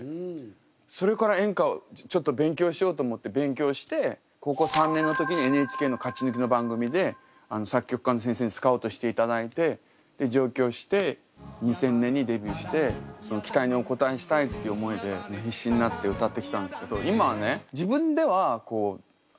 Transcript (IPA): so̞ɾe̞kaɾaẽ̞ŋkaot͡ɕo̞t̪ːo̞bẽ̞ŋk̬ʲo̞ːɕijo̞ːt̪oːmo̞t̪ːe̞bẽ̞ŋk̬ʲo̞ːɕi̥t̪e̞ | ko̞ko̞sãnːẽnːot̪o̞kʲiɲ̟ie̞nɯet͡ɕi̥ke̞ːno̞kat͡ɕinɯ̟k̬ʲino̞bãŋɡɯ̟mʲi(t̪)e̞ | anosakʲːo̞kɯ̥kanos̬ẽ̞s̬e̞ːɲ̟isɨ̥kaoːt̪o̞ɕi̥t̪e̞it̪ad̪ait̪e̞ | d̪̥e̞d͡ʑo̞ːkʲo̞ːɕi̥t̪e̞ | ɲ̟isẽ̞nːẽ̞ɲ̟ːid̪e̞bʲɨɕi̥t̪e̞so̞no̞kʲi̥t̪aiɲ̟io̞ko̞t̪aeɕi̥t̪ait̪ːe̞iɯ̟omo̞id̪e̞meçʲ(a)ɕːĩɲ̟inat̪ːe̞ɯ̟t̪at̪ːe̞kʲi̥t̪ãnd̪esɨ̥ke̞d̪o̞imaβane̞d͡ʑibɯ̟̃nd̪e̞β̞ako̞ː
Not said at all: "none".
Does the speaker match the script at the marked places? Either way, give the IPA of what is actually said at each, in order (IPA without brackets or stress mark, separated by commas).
d̪, i